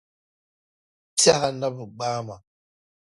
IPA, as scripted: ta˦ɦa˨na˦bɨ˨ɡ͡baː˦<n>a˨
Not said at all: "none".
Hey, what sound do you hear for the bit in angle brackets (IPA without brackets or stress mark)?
m